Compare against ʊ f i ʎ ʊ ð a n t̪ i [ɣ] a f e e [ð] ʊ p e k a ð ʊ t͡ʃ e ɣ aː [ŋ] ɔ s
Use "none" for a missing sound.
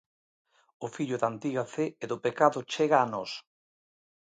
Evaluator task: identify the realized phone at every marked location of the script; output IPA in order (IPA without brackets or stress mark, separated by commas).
ɣ, ð, n